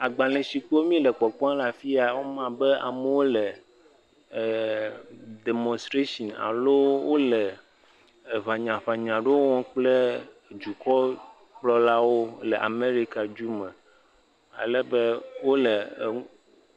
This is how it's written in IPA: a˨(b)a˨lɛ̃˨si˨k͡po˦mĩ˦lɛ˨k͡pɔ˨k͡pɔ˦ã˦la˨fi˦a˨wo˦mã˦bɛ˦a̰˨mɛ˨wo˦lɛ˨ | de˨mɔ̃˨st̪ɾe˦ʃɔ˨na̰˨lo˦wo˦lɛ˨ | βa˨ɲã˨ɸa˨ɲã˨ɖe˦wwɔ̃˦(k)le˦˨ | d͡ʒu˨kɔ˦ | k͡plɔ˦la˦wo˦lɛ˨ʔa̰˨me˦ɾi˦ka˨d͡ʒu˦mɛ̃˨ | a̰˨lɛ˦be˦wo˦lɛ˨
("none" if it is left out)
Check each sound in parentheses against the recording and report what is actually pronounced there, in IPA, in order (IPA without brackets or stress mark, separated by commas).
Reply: ɡ͡b, k͡p